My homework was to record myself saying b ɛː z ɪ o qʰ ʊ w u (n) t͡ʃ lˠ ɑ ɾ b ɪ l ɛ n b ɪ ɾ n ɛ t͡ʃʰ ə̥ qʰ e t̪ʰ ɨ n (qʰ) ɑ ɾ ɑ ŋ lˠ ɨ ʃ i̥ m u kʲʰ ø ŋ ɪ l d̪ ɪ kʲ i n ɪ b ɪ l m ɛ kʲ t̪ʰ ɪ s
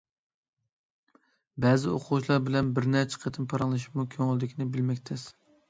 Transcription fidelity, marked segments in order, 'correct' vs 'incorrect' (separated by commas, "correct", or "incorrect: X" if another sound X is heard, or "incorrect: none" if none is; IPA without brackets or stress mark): incorrect: none, incorrect: pʰ